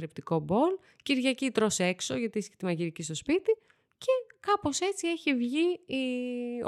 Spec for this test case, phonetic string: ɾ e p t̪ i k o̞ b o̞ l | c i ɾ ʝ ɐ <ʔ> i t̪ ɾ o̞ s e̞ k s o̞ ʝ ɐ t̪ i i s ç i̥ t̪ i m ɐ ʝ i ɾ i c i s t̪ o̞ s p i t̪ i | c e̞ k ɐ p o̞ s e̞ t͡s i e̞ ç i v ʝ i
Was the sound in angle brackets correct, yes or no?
no